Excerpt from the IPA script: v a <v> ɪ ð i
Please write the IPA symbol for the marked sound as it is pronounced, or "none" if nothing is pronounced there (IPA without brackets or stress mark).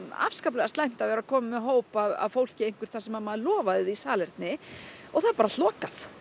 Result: ð